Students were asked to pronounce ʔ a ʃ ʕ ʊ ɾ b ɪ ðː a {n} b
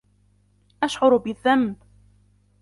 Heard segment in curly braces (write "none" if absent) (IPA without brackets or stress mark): m